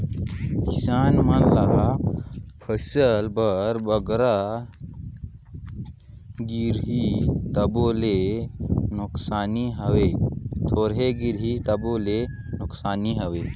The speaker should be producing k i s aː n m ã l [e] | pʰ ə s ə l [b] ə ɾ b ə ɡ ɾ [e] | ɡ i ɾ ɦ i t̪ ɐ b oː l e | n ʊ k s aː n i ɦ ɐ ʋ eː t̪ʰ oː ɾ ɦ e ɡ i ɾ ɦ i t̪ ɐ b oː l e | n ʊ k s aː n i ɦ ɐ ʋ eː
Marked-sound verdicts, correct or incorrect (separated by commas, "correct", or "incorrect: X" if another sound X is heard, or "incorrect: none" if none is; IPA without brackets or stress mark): incorrect: a, correct, incorrect: a